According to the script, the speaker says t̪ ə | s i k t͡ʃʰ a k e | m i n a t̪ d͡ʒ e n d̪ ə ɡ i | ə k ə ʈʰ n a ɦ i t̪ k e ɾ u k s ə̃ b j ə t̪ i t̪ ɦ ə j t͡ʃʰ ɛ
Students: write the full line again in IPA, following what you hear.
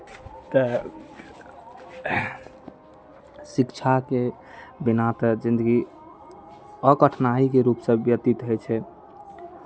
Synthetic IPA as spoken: t̪ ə | s i k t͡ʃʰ a k e | b i n a t̪ d͡ʒ i n d̪ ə ɡ i | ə k ə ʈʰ n a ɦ i k e ɾ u p s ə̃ b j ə t̪ i t̪ ɦ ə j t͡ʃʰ ɛ